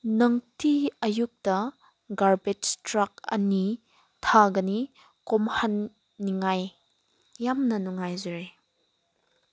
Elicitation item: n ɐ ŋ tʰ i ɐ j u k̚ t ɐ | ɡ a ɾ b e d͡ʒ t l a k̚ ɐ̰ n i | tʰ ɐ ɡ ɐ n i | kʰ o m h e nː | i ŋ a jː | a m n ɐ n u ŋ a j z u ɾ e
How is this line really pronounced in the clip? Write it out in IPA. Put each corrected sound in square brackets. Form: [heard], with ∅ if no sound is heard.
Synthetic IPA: n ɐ ŋ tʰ i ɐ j u k̚ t ɐ | ɡ a ɾ b e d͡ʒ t [ɾ] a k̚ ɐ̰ n i | tʰ [a] ɡ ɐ n i | [k] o m h [a] nː | i ŋ a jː | a m n ɐ n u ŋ a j z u ɾ e